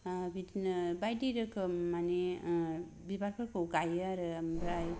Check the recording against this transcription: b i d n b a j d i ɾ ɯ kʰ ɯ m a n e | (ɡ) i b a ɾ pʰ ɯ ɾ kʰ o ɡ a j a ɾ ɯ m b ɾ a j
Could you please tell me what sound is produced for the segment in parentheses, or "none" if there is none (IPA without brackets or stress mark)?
b